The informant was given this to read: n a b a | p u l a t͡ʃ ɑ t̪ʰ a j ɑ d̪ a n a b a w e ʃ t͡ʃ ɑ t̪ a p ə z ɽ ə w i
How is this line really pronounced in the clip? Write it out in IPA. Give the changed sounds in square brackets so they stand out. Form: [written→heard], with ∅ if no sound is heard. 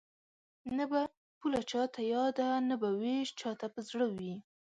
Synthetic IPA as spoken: n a b a | p u l a t͡ʃ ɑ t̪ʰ a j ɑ d̪ a n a b a w e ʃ t͡ʃ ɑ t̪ a p ə z ɽ ə w i

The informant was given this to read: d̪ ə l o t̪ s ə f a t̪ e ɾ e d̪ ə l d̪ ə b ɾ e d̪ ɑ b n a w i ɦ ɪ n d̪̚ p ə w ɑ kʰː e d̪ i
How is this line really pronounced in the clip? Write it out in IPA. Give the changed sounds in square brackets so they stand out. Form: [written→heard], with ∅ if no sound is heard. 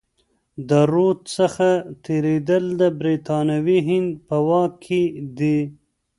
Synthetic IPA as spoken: d̪ ə [l→ɾ] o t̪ s ə [f→x] a t̪ e ɾ e d̪ ə l d̪ ə b ɾ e [d̪→t̪] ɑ [b→∅] n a w i ɦ ɪ n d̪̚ p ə w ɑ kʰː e d̪ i

